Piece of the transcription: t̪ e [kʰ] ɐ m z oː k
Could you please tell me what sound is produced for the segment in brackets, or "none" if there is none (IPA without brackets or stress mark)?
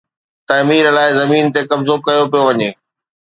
k